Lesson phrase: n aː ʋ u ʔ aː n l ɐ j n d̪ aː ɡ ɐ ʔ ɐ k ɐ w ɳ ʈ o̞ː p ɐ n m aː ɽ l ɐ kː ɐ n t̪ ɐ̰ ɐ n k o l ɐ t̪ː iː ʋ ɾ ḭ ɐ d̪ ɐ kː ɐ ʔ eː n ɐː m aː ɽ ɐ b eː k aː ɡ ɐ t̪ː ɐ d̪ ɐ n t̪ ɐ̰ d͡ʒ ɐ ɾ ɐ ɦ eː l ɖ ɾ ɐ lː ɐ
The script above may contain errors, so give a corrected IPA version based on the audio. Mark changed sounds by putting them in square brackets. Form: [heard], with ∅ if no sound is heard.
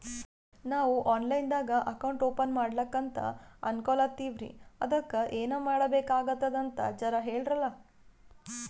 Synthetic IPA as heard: n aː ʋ u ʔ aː n l ɐ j n d̪ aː ɡ ɐ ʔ ɐ k ɐ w ɳ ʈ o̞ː p ɐ n m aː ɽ l ɐ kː ɐ n t̪ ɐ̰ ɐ n k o l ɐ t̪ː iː ʋ ɾ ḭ ɐ d̪ ɐ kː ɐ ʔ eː n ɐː m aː ɽ ɐ b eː k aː ɡ ɐ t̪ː ɐ d̪ ɐ n t̪ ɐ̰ d͡ʒ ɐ ɾ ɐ ɦ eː [ɭ] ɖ ɾ ɐ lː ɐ